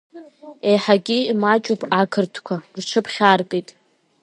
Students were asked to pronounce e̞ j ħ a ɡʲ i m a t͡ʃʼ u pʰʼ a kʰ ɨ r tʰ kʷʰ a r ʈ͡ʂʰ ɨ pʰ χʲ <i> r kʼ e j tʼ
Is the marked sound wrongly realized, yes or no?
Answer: yes